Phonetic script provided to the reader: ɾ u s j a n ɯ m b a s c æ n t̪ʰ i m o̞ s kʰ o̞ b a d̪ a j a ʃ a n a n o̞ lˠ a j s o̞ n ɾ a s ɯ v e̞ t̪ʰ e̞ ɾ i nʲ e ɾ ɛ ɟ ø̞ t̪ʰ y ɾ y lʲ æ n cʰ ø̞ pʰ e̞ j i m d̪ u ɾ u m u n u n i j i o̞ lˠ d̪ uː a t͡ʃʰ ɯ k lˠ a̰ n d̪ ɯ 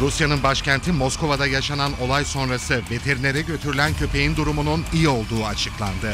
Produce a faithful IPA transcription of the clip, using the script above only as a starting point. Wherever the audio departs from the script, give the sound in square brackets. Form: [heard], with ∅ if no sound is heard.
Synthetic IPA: ɾ u s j a n ɯ [n] b a [ʃ] c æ n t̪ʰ i m o̞ s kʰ o̞ [v] a d̪ a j a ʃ a n a n o̞ lˠ a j s o̞ n ɾ a s ɯ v e̞ t̪ʰ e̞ ɾ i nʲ e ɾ ɛ ɟ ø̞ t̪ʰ y ɾ y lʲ æ n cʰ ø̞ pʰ e̞ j i [n] d̪ u ɾ u m u n u n i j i o̞ lˠ d̪ uː a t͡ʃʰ ɯ k lˠ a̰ n d̪ ɯ